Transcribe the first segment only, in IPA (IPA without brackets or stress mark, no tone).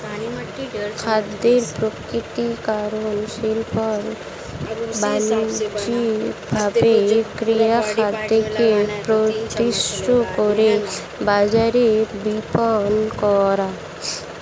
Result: kʰ